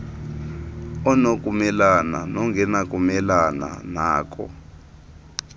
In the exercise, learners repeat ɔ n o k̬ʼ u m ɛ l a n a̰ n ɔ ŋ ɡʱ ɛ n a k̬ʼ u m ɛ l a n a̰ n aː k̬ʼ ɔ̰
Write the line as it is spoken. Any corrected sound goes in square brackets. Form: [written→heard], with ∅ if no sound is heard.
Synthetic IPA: ɔ n o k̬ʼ u m ɛ l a n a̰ n ɔ ŋ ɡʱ ɛ n a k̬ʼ u m ɛ l a n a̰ n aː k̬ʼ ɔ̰